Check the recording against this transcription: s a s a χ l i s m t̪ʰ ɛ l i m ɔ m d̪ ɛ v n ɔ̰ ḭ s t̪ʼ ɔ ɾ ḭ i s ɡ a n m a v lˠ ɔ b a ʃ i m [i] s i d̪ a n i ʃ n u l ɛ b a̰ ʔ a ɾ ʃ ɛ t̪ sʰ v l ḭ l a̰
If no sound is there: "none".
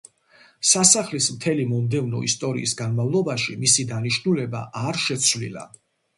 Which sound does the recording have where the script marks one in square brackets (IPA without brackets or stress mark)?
i